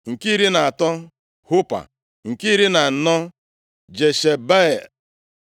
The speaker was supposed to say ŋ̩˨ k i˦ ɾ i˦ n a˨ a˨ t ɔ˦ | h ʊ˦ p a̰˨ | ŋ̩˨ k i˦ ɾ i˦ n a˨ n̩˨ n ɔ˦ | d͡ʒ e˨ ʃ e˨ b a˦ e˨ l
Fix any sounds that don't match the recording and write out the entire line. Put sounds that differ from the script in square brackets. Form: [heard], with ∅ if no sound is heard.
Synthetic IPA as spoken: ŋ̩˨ k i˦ ɾ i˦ n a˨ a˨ t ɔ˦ | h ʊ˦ p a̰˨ | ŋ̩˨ k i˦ ɾ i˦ n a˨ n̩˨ n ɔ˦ | d͡ʒ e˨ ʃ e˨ b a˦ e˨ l

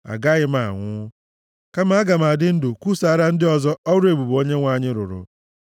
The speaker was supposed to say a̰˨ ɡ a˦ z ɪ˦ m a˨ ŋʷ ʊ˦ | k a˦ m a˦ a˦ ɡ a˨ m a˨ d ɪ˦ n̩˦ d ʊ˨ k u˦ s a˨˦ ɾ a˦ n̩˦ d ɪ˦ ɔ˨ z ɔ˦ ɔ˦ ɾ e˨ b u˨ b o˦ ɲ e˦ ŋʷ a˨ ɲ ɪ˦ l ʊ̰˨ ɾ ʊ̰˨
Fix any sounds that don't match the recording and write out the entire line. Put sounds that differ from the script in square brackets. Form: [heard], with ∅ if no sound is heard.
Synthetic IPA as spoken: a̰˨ ɡ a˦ [ɣ] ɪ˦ m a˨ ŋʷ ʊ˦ | k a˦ m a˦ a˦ ɡ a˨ m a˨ d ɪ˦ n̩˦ d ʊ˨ k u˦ s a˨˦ ɾ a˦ n̩˦ d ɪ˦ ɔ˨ z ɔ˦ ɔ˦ ɾ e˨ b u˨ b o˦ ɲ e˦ ŋʷ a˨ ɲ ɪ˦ [ɾ] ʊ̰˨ ɾ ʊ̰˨

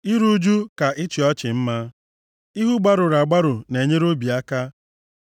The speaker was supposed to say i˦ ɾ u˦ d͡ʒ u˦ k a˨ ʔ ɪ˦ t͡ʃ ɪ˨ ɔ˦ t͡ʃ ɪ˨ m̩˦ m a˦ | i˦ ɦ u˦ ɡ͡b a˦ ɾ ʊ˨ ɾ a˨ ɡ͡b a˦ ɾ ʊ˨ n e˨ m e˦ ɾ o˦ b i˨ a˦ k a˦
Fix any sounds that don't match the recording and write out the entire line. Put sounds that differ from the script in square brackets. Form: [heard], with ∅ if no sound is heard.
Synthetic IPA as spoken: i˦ ɾ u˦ d͡ʒ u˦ k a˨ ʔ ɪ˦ t͡ʃ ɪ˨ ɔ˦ t͡ʃ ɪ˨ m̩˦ m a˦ | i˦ ɦ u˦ ɡ͡b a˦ ɾ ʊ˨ ɾ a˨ ɡ͡b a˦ ɾ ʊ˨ n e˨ [ɲ] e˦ ɾ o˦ b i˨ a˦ k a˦

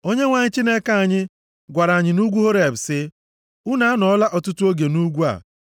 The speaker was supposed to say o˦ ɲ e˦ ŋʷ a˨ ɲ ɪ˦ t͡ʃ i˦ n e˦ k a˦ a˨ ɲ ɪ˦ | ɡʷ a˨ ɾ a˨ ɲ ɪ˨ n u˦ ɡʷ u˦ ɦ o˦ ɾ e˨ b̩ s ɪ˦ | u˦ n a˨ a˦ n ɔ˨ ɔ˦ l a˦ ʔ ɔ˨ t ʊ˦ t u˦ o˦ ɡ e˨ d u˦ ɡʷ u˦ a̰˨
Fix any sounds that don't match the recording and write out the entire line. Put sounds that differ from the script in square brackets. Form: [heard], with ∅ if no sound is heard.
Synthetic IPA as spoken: o˦ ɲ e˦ ŋʷ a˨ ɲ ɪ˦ t͡ʃ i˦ n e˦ k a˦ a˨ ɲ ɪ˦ | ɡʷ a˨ ɾ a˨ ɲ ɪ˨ n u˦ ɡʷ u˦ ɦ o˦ ɾ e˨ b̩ s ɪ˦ | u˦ n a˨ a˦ n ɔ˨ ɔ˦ l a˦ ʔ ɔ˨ t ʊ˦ t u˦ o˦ ɡ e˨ [n] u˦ ɡʷ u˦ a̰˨

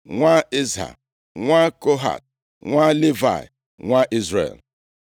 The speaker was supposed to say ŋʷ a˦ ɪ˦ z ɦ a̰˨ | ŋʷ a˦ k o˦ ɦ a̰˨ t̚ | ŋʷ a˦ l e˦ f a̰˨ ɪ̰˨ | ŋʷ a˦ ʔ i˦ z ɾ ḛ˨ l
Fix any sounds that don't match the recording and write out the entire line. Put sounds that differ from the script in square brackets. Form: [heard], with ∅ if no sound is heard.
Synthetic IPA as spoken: ŋʷ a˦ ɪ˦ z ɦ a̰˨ | ŋʷ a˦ k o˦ ɦ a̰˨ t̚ | ŋʷ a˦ l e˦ [v] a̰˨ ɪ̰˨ | ŋʷ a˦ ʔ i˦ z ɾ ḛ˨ l

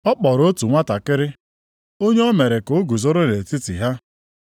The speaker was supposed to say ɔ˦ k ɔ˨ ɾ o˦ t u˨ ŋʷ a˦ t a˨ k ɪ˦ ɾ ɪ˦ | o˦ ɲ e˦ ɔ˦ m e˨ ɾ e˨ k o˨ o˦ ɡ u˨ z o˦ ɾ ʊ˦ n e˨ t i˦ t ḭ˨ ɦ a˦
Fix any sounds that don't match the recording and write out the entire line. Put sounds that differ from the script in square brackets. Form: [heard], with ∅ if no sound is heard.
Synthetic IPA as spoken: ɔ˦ [k͡p] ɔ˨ ɾ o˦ t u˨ ŋʷ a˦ t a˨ k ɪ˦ ɾ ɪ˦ | o˦ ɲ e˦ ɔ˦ m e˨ ɾ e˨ k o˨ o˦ ɡ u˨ z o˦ ɾ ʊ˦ n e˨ t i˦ t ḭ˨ ɦ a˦

